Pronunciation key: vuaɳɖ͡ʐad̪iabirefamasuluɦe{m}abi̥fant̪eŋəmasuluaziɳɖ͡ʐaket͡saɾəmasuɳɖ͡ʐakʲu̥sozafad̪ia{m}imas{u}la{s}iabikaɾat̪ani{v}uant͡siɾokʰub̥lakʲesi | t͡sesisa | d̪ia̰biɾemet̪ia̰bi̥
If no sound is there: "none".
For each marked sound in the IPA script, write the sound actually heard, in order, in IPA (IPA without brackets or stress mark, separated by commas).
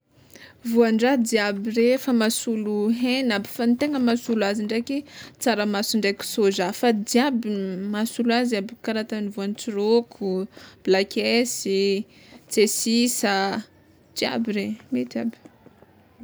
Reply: n, b, u, z, v